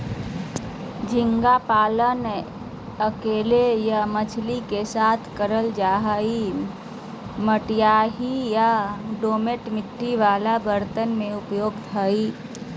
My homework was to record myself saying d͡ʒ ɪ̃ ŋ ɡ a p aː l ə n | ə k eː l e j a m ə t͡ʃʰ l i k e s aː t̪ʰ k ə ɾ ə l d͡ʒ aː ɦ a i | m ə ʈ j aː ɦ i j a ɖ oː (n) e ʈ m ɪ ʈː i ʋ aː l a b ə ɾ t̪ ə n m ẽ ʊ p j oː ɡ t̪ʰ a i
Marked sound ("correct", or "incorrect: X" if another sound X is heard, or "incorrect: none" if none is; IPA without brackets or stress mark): incorrect: m